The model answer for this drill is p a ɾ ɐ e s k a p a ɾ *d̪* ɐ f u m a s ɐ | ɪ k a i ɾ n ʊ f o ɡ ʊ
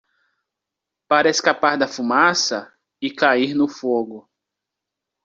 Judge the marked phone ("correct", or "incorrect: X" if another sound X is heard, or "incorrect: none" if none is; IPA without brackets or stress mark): correct